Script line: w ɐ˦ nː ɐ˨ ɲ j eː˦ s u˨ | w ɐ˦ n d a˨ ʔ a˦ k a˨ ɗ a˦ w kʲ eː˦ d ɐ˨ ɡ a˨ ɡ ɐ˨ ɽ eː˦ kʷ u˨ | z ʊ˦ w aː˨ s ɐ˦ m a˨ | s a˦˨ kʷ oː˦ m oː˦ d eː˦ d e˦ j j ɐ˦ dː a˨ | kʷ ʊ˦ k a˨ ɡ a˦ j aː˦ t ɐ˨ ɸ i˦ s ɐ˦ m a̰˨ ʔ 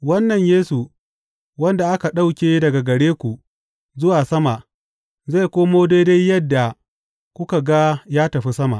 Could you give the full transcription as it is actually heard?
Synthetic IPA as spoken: w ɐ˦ nː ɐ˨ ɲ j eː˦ s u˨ | w ɐ˦ n d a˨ ʔ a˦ k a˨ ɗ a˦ w kʲ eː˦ d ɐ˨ ɡ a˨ ɡ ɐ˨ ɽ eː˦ kʷ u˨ | z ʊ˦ w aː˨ s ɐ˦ m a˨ | z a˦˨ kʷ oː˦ m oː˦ d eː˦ d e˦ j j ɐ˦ dː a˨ | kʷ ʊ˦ k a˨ ɡ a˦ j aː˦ t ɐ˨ ɸ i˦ s ɐ˦ m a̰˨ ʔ

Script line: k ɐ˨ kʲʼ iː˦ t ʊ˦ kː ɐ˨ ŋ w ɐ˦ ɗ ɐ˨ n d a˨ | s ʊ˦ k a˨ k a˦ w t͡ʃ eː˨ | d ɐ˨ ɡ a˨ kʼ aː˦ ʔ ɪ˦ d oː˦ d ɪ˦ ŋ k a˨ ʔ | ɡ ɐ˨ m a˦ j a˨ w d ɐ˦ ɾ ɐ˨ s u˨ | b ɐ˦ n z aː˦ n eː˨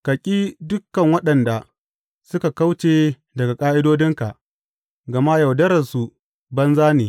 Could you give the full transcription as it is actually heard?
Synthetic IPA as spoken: k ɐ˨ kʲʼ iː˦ d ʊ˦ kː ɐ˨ ŋ w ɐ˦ ɗ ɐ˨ n d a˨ | s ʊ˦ k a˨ k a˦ w t͡ʃ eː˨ | d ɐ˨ ɡ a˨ kʼ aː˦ ʔ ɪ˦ d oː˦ d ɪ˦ ŋ k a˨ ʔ | ɡ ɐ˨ m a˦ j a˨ w d ɐ˦ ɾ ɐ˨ s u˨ | b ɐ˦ n z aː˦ n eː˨

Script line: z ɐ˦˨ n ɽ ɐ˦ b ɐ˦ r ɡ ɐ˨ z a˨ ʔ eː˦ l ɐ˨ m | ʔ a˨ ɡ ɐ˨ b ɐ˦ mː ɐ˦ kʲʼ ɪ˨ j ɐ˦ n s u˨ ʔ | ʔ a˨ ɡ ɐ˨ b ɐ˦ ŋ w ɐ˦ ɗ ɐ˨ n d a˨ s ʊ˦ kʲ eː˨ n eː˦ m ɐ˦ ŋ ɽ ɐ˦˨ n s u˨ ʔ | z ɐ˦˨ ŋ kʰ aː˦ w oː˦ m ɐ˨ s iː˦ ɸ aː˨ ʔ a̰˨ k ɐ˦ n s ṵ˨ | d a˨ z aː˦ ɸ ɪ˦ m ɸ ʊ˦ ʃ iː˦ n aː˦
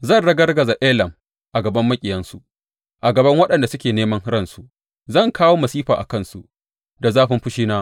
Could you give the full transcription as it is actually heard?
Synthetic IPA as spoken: z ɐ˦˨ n ɽ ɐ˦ ɡ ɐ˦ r ɡ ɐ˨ z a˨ ʔ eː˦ l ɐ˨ m | ʔ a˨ ɡ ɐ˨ b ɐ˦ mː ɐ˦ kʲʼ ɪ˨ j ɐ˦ n s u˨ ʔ | ʔ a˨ ɡ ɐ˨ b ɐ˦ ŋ w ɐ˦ ɗ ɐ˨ n d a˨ s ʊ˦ kʲ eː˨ n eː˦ m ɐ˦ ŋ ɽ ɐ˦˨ n s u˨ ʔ | z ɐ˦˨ ŋ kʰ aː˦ w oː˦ m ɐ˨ s iː˦ ɸ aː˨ ʔ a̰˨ k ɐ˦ n s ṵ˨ | d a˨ z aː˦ ɸ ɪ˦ m ɸ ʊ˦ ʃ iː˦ n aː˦

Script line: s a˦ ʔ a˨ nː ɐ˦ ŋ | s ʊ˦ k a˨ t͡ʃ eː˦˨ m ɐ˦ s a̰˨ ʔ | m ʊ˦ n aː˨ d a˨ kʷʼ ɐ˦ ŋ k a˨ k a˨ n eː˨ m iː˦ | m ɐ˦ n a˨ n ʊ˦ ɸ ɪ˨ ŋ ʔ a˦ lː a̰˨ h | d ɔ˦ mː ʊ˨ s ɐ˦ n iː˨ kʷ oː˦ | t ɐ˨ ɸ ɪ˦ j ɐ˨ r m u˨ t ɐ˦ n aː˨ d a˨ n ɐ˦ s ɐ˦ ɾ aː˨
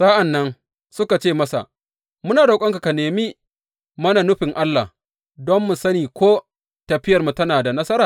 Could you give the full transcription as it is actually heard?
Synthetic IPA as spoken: s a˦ ʔ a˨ nː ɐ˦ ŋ | s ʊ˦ k a˨ t͡ʃ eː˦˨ m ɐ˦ s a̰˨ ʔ | m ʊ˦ n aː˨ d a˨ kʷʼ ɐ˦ ŋ k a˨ k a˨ n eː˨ m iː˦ | m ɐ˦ n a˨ n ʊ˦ ɸ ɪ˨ ŋ ʔ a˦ lː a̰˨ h | d ɔ˦ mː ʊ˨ s ɐ˦ n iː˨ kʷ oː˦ | t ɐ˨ ɸ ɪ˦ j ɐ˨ r m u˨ t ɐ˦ n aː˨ d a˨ n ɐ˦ s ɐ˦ ɾ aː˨

